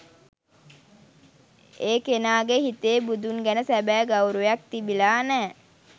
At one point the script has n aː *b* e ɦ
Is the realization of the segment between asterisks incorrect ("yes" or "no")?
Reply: yes